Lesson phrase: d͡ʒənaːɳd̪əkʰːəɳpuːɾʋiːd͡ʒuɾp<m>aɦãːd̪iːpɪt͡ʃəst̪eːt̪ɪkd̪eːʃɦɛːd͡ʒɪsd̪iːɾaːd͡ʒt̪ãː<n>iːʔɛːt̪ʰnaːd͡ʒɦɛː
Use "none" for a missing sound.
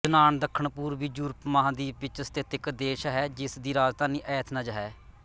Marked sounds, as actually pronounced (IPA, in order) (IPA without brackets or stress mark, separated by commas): m, n